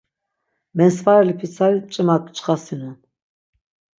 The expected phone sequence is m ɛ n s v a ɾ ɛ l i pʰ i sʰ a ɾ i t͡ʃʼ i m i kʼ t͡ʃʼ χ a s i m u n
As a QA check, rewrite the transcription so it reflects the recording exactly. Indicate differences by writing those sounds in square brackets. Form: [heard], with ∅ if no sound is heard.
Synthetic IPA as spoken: m ɛ n s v a ɾ ɛ l i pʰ i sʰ a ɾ i t͡ʃʼ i m [a] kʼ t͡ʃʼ χ a s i [n] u n